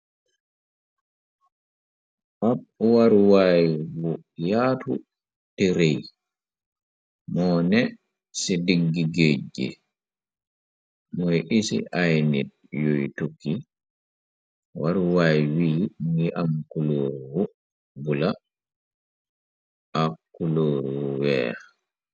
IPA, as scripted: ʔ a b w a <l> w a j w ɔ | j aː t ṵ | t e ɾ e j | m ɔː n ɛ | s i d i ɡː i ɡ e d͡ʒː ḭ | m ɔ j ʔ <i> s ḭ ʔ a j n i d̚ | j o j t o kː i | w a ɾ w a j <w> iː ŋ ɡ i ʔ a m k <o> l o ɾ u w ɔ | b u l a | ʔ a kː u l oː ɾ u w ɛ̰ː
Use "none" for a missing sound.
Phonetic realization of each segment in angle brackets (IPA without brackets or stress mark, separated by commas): ɾ, i, w, u